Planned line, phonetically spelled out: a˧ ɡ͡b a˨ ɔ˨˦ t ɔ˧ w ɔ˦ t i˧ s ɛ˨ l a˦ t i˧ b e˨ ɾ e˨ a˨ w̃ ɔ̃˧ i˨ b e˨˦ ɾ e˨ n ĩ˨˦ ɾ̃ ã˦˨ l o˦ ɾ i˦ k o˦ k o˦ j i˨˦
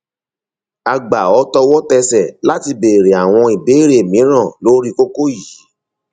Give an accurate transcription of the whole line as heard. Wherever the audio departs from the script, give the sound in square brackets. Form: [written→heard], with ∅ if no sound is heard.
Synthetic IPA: a˧ ɡ͡b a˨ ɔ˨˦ t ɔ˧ w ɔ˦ t [i˧→ɛ˧] s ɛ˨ l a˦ t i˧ b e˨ ɾ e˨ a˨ w̃ ɔ̃˧ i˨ b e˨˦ ɾ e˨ [n→m] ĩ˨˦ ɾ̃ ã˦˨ l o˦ ɾ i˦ k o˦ k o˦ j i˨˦